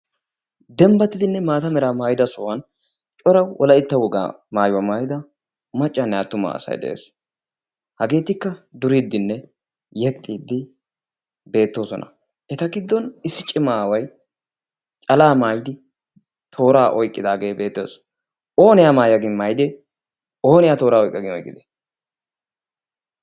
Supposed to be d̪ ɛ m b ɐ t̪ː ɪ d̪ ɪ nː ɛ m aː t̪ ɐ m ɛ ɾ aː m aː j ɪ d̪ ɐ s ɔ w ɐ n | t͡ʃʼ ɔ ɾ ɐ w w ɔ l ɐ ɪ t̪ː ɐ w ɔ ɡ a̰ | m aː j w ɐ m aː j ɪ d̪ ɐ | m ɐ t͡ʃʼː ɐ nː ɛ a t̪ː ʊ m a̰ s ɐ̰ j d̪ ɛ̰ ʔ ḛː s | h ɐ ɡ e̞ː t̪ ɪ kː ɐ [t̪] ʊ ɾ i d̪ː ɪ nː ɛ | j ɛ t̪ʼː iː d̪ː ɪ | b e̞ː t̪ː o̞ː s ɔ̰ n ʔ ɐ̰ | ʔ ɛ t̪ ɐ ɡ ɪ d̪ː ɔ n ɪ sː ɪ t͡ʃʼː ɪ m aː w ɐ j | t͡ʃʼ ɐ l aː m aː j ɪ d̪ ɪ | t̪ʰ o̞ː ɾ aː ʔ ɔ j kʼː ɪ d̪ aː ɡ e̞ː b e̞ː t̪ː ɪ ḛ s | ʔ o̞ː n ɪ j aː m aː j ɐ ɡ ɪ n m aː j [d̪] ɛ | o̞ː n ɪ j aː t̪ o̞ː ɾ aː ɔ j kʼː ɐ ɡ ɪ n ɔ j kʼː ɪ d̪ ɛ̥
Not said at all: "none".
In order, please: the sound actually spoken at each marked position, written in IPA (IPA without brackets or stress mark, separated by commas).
d̪, d̪